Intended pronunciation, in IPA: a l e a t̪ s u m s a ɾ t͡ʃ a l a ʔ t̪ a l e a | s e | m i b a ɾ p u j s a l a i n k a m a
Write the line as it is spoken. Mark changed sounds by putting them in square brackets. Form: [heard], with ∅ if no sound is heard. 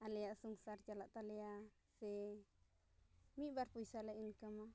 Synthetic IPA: a l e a [∅] s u [ŋ] s a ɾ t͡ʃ a l a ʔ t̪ a l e a | s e | m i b a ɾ p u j s a l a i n k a m a